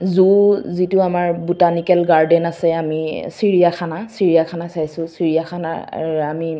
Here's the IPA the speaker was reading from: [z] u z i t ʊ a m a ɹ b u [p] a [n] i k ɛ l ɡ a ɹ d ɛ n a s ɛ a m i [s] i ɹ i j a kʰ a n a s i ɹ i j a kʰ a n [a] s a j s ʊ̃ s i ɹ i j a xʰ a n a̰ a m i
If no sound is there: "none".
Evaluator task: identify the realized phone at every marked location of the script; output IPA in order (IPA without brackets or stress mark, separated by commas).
z, t, n, s, a